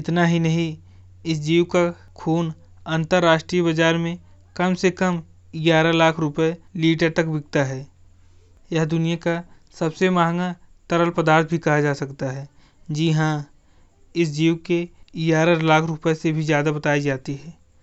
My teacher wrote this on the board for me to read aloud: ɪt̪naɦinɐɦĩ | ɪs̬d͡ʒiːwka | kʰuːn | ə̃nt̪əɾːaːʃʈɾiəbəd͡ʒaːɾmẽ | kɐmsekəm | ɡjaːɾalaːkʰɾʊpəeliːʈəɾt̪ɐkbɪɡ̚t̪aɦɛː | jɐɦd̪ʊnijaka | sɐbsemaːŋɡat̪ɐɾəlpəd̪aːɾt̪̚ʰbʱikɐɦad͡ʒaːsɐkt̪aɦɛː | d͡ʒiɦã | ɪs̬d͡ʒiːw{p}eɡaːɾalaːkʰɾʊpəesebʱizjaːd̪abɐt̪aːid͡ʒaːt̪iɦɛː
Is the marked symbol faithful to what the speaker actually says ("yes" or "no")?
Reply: no